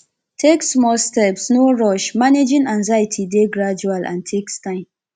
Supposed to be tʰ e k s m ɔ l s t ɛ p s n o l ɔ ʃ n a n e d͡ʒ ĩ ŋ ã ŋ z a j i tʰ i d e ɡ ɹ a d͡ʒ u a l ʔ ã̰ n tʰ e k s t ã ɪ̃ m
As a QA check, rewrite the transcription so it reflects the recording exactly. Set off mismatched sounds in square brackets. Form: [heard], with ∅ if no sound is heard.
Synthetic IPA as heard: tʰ e k s m ɔ l s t ɛ p s n o [ɹ] ɔ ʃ [m] a n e d͡ʒ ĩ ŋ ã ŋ z a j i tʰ i d e ɡ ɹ a d͡ʒ u a l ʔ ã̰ n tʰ e k s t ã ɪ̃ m